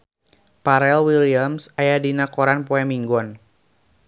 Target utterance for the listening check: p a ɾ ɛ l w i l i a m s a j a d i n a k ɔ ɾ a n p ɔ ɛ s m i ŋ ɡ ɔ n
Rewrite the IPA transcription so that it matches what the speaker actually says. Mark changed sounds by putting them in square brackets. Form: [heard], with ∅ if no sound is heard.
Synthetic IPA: p a ɾ ɛ l w i l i a m s a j a d i n a k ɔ ɾ a n p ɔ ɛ [∅] m i ŋ ɡ ɔ n

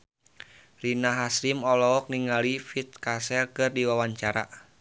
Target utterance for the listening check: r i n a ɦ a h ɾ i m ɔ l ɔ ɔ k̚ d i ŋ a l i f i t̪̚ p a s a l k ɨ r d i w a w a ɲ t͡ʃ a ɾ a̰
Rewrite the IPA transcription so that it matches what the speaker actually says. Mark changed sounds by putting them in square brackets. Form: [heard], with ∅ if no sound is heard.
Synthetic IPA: r i n a ɦ a [s] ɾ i m ɔ l ɔ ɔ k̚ [n] i ŋ a l i f i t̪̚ [k] a s [ɛ] l k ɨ r d i w a w a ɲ t͡ʃ a ɾ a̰

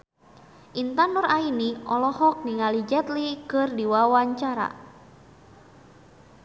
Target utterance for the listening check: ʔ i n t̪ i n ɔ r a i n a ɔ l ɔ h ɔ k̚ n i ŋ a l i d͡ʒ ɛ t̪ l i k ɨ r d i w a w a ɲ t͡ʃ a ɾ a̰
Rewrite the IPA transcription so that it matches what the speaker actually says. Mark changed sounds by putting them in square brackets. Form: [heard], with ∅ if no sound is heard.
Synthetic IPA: ʔ i n t̪ [a] n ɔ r a i n [i] ɔ l ɔ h ɔ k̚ n i ŋ a l i d͡ʒ ɛ t̪ l i k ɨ r d i w a w a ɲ t͡ʃ a ɾ a̰

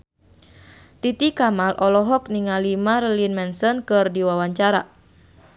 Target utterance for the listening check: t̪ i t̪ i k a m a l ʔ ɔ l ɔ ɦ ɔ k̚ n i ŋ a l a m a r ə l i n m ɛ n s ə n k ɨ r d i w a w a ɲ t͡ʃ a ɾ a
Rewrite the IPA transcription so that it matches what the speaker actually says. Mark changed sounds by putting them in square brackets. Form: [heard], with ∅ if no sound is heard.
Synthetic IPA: t̪ i t̪ i k a m a l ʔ ɔ l ɔ ɦ ɔ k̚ n i ŋ a l [i] m a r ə l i n m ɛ n s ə n k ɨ r d i w a w a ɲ t͡ʃ a ɾ a

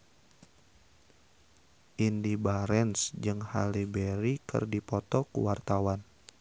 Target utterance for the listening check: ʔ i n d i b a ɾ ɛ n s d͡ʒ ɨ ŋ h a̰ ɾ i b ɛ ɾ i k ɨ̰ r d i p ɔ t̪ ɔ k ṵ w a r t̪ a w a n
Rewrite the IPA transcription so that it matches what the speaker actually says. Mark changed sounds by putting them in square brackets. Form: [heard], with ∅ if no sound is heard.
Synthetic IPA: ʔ i n d i b a ɾ ɛ n s d͡ʒ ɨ ŋ h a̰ [l] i b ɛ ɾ i k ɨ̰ r d i p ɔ t̪ ɔ k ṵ w a r t̪ a w a n

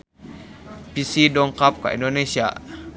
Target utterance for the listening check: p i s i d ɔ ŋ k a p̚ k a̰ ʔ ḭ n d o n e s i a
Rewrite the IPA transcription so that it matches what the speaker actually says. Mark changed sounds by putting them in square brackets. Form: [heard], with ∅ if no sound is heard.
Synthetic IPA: p i s i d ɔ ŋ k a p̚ k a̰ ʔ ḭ n d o n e s i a

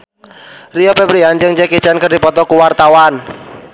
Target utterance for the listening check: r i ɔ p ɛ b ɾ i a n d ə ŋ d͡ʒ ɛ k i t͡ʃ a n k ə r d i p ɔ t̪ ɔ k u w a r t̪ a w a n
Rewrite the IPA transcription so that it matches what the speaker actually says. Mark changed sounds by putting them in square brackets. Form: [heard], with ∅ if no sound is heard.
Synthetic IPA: r i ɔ p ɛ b ɾ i a n [d͡ʒ] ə ŋ d͡ʒ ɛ k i t͡ʃ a n k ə r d i p ɔ t̪ ɔ k u w a r t̪ a w a n

